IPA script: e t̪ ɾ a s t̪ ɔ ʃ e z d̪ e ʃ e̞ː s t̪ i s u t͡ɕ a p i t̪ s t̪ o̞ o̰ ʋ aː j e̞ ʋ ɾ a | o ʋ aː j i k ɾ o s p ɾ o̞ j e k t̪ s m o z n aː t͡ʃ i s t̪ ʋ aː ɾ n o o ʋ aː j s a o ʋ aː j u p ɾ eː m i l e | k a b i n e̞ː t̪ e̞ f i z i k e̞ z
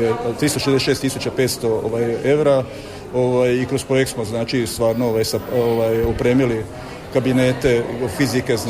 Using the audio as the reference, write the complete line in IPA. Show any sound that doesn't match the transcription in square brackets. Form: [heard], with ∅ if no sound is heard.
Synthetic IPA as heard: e t̪ ɾ [i] s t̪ [o] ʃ e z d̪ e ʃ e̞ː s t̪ i s u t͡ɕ a p [e] t̪ s t̪ o̞ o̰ ʋ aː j e̞ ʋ ɾ a | o ʋ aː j i k ɾ o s p ɾ o̞ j e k t̪ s m o z n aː t͡ʃ i s t̪ ʋ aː ɾ n o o ʋ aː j s a o ʋ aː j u p ɾ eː m i l [i] | k a b i n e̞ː t̪ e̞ f i z i k e̞ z